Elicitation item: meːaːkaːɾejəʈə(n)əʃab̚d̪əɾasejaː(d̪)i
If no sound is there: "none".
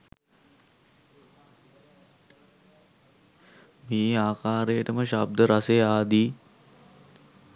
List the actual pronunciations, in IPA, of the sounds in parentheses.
m, d̪

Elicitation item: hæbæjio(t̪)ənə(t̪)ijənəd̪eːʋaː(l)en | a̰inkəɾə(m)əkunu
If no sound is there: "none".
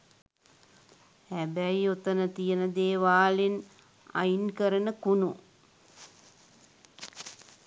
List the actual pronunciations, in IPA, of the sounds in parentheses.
t̪, t̪, l, n

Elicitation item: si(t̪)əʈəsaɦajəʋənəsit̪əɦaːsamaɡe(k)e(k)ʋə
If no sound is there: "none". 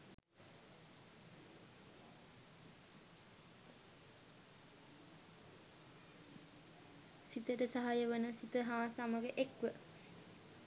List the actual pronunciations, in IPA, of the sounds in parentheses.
t̪, ʔ, k

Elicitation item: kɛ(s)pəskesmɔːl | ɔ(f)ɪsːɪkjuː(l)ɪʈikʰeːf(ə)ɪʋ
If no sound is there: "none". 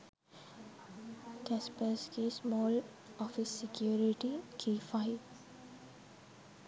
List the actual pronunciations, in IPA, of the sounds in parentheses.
s, f, ɾ, a

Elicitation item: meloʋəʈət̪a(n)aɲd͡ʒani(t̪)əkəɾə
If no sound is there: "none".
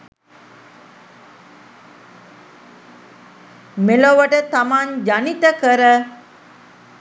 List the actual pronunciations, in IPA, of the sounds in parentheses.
m, t̪

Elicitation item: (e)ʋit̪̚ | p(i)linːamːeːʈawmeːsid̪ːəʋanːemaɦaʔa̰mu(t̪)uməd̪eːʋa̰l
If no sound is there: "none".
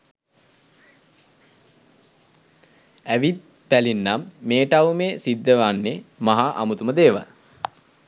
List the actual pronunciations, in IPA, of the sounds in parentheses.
æ, æ, t̪

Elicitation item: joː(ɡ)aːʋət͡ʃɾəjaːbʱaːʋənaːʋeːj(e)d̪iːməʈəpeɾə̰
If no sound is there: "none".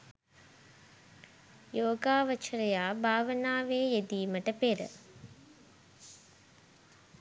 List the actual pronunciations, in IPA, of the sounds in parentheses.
ɡ, e

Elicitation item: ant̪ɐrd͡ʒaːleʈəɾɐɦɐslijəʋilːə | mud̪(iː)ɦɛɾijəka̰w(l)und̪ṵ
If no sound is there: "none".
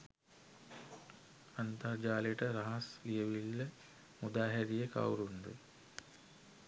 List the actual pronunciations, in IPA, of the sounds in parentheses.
aː, ɾ

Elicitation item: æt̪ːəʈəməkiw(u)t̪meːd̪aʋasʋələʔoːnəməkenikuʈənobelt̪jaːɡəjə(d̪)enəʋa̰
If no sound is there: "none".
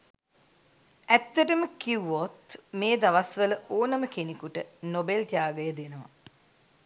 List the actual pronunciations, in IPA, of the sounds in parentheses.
o, d̪

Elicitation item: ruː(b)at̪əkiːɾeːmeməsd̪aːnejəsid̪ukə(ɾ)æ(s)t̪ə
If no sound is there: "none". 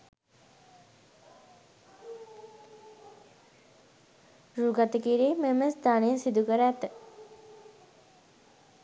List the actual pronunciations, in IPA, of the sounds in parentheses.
ɡ, ɾ, none

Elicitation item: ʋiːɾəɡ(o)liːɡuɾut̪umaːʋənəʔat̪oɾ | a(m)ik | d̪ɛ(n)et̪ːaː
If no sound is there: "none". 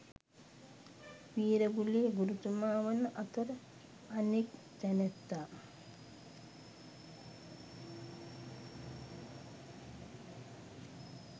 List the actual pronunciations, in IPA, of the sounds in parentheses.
u, n, n

